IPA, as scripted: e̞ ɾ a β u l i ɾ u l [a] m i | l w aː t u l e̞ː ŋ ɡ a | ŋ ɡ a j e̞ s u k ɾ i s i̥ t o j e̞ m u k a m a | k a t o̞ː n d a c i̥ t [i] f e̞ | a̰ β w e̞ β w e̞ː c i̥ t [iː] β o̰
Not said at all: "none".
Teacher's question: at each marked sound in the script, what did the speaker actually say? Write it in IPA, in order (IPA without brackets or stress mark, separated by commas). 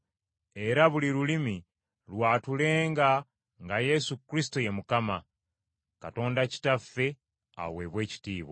i, a, iː